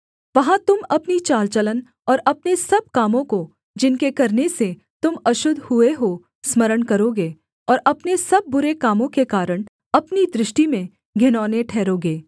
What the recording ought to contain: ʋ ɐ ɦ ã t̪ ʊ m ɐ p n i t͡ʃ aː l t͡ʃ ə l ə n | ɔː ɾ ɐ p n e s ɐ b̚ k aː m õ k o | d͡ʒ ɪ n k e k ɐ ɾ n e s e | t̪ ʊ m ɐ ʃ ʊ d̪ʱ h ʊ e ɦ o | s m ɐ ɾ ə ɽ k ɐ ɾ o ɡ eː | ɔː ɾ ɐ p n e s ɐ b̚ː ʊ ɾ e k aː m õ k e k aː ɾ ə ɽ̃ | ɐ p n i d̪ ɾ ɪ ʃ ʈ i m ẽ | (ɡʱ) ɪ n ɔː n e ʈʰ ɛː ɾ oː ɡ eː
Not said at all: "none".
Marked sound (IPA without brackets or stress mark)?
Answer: ɡʱ